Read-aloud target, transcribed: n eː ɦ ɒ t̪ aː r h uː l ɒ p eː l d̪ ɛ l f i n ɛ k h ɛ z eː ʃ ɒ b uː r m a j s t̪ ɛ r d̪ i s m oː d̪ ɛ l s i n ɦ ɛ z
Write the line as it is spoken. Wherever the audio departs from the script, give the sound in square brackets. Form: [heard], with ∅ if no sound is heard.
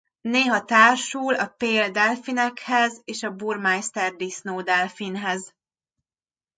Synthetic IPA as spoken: n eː ɦ ɒ t̪ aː r [ʃ] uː l ɒ p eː l d̪ ɛ l f i n ɛ k h ɛ z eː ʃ ɒ b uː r m a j s t̪ ɛ r d̪ i s [n] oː d̪ ɛ l [f] i n ɦ ɛ z

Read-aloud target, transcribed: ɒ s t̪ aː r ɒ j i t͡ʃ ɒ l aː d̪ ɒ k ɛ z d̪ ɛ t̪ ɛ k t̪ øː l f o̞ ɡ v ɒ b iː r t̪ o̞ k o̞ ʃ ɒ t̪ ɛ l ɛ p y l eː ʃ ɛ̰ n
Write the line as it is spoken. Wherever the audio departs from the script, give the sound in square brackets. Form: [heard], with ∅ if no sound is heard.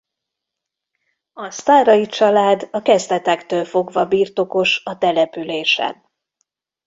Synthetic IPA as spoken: ɒ s t̪ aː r ɒ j i t͡ʃ ɒ l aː d̪ ɒ k ɛ z d̪ ɛ t̪ ɛ k t̪ øː l f o̞ ɡ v ɒ b iː r t̪ o̞ k o̞ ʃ ɒ t̪ ɛ l ɛ p y l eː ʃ ɛ̰ n

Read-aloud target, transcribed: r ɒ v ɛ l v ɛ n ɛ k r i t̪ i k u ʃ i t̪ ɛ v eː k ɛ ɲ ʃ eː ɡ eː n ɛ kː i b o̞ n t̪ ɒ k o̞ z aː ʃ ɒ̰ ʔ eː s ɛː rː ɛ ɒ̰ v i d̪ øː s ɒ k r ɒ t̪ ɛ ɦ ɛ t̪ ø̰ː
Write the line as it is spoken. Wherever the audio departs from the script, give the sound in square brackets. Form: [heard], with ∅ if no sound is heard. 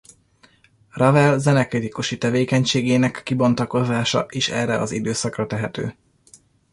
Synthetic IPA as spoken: r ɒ v ɛ l [z] ɛ n ɛ k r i t̪ i k u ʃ i t̪ ɛ v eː k ɛ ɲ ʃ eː ɡ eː n ɛ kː i b o̞ n t̪ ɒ k o̞ z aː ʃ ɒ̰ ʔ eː [ʃ] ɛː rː ɛ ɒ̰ [z] i d̪ øː s ɒ k r ɒ t̪ ɛ ɦ ɛ t̪ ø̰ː

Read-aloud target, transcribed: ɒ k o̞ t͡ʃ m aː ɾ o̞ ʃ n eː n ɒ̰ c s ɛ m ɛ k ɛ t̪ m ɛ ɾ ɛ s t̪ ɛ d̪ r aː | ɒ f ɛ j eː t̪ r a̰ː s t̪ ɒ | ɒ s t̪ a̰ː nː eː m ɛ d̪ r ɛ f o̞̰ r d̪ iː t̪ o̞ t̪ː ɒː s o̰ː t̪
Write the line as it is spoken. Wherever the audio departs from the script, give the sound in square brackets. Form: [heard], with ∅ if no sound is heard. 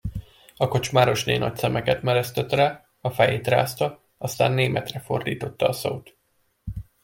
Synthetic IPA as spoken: ɒ k o̞ t͡ʃ m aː ɾ o̞ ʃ n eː n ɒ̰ c s ɛ m ɛ k ɛ t̪ m ɛ ɾ ɛ s t̪ ɛ [t̪] r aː | ɒ f ɛ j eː t̪ r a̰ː s t̪ ɒ | ɒ s t̪ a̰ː nː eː m ɛ [t̪] r ɛ f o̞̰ r d̪ iː t̪ o̞ t̪ː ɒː s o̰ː t̪

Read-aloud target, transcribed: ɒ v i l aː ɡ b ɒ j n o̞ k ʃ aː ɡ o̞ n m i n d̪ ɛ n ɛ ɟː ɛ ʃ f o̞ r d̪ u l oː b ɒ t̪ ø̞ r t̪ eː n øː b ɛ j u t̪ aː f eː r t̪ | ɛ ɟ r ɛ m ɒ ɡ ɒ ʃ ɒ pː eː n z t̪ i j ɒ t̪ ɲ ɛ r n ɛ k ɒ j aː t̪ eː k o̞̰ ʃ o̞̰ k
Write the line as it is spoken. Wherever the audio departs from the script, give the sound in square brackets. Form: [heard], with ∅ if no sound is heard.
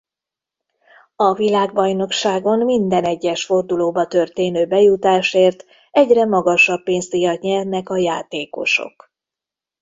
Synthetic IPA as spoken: ɒ v i l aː ɡ b ɒ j n o̞ k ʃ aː ɡ o̞ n m i n d̪ ɛ n ɛ ɟː ɛ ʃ f o̞ r d̪ u l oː b ɒ t̪ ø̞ r t̪ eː n øː b ɛ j u t̪ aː [ʃ] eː r t̪ | ɛ ɟ r ɛ m ɒ ɡ ɒ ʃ ɒ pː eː n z t̪ i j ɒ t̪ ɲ ɛ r n ɛ k ɒ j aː t̪ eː k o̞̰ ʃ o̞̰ k

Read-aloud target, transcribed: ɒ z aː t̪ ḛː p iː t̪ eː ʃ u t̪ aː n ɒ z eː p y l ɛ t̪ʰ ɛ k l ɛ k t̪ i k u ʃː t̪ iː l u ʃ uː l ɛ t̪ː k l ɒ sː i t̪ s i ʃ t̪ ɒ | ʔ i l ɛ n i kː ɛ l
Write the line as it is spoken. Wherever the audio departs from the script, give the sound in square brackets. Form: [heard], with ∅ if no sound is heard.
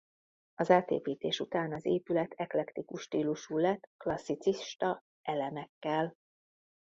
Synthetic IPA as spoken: ɒ z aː t̪ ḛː p iː t̪ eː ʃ u t̪ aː n ɒ z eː p y l ɛ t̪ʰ ɛ k l ɛ k t̪ i k u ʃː t̪ iː l u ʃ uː l ɛ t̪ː k l ɒ sː i t̪ s i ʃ t̪ ɒ | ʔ [ɛ] l ɛ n [ɛ] kː ɛ l

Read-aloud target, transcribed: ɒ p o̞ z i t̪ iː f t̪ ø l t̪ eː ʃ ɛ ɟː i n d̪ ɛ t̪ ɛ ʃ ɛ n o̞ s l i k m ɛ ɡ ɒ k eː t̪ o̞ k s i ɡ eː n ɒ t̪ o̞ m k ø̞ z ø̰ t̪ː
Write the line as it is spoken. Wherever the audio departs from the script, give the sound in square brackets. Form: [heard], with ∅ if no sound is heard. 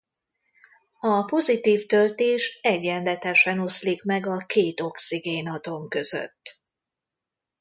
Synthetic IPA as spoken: ɒ p o̞ z i t̪ iː f t̪ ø l t̪ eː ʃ ɛ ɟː [ɛ] n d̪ ɛ t̪ ɛ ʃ ɛ n o̞ s l i k m ɛ ɡ ɒ k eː t̪ o̞ k s i ɡ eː n ɒ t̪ o̞ m k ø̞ z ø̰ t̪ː

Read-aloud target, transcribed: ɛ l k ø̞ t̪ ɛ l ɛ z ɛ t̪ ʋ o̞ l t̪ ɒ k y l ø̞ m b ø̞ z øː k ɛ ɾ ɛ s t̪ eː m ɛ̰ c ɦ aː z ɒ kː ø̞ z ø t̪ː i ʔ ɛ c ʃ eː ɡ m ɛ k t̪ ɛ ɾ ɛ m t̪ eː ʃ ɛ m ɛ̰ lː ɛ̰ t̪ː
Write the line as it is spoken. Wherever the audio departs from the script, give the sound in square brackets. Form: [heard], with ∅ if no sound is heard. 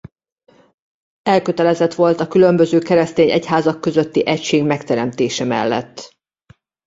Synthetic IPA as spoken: ɛ l k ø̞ t̪ ɛ l ɛ z ɛ t̪ ʋ o̞ l t̪ ɒ k y l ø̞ m b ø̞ z øː k ɛ ɾ ɛ s t̪ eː [ɲ] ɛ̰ c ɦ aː z ɒ kː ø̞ z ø t̪ː i ʔ ɛ c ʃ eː ɡ m ɛ k t̪ ɛ ɾ ɛ m t̪ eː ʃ ɛ m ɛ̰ lː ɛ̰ t̪ː

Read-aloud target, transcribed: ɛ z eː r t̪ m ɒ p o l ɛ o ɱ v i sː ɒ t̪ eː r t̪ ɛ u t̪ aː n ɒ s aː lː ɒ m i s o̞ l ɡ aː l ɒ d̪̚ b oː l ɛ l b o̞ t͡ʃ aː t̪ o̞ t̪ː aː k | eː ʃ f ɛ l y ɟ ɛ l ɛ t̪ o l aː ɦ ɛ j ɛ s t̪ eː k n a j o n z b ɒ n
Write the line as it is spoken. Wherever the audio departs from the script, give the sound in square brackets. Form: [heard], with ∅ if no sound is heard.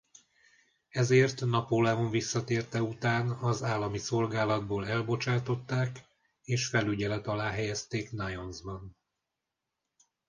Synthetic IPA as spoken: ɛ z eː r t̪ [n] ɒ p o l ɛ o ɱ v i sː ɒ t̪ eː r t̪ ɛ u t̪ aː n ɒ [z] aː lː ɒ m i s o̞ l ɡ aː l ɒ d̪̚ b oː l ɛ l b o̞ t͡ʃ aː t̪ o̞ t̪ː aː k | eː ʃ f ɛ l y ɟ ɛ l ɛ t̪ [ɒ] l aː ɦ ɛ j ɛ s t̪ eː k n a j o n z b ɒ n

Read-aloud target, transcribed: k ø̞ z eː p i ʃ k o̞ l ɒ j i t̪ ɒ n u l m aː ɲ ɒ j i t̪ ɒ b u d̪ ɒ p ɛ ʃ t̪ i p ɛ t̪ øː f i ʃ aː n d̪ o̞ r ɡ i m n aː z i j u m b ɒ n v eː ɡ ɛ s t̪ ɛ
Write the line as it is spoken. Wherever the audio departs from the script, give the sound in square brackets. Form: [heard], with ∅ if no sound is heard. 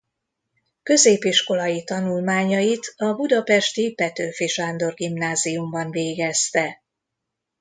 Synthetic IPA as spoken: k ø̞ z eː p i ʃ k o̞ l ɒ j i t̪ ɒ n u l m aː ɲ ɒ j i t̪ ɒ b u d̪ ɒ p ɛ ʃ t̪ i p ɛ t̪ øː f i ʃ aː n d̪ o̞ r ɡ i m n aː z i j u m b ɒ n v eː ɡ ɛ s t̪ ɛ

